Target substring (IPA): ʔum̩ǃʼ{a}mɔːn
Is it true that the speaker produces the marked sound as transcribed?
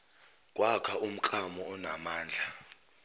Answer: yes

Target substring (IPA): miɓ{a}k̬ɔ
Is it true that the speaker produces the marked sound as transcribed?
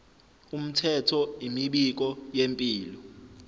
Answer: no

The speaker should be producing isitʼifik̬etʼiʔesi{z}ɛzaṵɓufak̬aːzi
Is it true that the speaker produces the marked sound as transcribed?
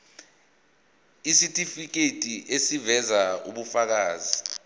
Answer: no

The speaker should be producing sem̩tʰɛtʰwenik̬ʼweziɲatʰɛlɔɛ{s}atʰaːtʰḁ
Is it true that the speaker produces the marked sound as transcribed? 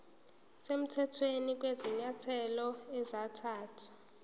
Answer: no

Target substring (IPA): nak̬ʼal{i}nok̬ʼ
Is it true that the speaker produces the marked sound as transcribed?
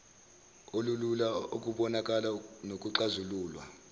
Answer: no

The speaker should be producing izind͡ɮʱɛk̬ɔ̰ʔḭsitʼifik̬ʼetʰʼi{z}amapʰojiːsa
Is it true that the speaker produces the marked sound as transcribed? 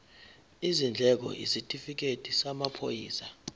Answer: no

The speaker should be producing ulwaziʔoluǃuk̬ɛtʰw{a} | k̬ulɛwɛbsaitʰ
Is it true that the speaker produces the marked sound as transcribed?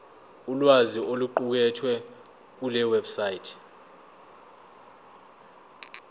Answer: no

